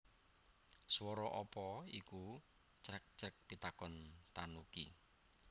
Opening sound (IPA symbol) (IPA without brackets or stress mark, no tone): s